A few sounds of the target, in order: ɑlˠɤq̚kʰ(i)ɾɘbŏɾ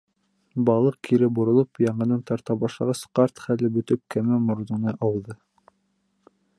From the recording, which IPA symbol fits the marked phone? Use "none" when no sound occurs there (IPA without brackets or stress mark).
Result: i